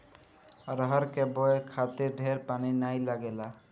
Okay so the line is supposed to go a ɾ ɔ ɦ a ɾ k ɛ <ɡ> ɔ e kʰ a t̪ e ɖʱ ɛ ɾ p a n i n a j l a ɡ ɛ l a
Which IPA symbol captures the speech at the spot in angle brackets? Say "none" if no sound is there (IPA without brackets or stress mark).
b